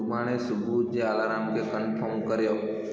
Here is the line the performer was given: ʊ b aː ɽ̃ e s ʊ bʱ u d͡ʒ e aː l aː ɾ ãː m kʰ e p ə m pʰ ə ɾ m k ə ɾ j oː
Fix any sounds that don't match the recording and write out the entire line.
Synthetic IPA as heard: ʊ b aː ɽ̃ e s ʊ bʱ u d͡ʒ e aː l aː ɾ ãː m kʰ e k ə n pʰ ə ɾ m k ə ɾ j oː